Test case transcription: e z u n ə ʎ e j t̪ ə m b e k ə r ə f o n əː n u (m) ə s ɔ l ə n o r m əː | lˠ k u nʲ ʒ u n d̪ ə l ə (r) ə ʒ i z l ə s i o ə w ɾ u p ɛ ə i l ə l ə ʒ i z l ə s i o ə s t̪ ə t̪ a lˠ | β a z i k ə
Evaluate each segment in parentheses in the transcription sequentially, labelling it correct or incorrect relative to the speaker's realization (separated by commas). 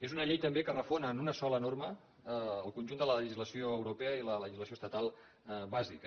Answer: incorrect, incorrect